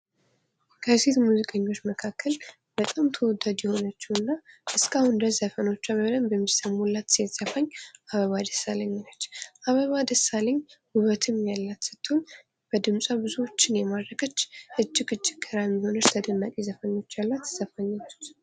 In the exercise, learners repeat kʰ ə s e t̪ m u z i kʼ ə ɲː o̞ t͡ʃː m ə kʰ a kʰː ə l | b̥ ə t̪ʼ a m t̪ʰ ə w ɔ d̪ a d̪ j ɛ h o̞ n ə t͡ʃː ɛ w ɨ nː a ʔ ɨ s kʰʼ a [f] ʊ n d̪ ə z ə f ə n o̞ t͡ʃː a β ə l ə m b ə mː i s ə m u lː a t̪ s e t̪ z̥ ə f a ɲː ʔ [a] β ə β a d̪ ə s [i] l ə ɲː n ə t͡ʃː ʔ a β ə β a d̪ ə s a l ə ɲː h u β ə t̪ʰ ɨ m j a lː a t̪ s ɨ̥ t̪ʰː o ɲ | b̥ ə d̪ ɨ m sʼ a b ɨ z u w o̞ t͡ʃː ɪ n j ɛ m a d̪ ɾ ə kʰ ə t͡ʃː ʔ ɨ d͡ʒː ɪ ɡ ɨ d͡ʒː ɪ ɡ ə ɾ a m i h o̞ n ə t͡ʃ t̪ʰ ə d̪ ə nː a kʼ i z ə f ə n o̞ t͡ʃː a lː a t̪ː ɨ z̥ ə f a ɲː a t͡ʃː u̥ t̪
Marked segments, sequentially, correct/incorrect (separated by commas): incorrect, correct, incorrect